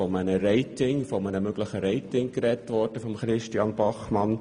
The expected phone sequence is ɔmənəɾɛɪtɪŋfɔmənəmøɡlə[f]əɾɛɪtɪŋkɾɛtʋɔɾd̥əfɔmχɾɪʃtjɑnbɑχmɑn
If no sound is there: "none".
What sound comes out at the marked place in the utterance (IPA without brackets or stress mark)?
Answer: χ